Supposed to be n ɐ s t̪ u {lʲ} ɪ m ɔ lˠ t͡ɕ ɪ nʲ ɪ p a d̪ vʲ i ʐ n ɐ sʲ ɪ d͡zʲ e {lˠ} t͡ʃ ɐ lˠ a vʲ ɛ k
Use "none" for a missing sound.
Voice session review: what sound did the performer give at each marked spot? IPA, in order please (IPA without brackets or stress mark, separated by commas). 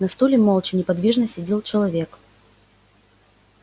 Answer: lʲ, lˠ